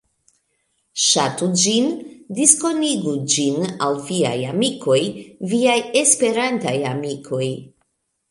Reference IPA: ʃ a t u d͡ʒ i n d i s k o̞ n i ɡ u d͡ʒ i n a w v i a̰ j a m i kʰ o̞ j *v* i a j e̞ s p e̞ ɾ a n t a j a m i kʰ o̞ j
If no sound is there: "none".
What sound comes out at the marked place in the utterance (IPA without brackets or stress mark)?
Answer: v